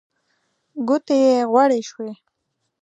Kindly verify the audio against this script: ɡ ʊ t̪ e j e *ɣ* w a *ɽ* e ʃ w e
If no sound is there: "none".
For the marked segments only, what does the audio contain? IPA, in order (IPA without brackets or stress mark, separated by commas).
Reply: ɣ, ɽ